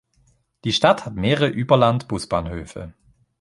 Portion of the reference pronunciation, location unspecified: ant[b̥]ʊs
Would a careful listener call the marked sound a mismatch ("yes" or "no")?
no